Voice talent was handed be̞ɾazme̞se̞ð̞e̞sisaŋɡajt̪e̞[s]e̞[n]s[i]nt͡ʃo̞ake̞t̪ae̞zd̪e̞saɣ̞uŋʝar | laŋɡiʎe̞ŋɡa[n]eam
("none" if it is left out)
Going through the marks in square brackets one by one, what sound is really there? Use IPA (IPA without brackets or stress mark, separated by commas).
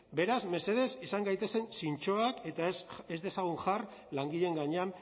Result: s, n, i, ɲ